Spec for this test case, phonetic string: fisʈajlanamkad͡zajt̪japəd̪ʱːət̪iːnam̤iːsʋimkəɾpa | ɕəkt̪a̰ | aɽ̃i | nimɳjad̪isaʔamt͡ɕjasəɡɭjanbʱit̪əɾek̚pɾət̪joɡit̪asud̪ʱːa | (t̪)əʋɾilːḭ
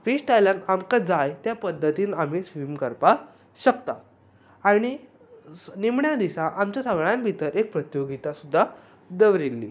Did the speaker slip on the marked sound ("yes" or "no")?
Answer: yes